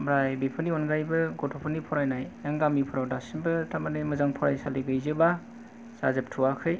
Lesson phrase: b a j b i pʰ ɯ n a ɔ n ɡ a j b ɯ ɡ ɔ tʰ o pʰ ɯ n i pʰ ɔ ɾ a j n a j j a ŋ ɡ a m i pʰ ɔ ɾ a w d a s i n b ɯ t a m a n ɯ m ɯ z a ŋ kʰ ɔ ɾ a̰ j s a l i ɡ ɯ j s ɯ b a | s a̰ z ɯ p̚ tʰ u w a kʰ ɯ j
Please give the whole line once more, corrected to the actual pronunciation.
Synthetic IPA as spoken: b a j b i pʰ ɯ n i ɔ n ɡ a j b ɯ ɡ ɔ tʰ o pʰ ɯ n i pʰ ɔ ɾ a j n a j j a ŋ ɡ a m i pʰ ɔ ɾ a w d a s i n b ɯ t a m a n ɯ m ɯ z a ŋ pʰ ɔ ɾ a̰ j s a l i ɡ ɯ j z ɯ b a | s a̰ z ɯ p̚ tʰ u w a kʰ ɯ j